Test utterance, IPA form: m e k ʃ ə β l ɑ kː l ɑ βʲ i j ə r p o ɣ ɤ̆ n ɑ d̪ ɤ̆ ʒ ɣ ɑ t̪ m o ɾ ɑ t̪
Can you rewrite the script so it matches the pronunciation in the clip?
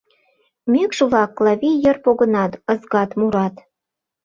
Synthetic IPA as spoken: m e k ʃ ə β l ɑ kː l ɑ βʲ i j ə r p o ɣ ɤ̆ n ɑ t̪ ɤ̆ z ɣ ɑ t̪ m u ɾ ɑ t̪